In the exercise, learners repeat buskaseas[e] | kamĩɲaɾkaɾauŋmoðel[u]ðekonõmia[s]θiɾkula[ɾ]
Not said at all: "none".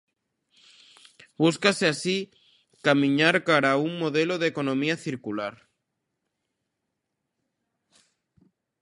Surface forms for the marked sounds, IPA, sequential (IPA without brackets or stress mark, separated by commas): i, o, none, ɾ